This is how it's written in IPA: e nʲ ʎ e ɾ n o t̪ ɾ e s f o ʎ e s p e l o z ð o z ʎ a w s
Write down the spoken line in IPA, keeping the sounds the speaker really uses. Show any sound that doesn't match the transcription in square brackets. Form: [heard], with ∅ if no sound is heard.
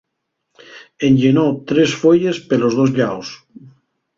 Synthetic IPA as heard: e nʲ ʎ e [∅] n o t̪ ɾ e s f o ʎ e s p e l o z ð o z ʎ a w s